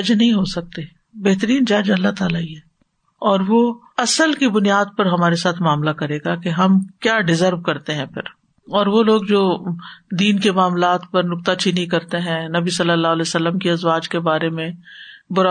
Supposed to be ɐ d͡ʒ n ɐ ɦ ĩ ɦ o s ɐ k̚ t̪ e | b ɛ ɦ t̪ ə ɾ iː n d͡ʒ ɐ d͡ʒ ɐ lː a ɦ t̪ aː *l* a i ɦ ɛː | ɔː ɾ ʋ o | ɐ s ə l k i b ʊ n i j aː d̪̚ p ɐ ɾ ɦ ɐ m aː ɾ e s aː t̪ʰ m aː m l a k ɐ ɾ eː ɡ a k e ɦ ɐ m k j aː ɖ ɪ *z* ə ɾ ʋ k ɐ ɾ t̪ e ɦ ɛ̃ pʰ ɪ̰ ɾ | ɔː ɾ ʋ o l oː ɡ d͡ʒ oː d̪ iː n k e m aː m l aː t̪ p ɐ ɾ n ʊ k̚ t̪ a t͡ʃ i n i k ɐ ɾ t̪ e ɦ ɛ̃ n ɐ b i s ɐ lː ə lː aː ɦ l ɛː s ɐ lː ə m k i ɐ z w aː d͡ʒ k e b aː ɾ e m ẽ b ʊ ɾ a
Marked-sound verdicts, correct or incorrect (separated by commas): correct, correct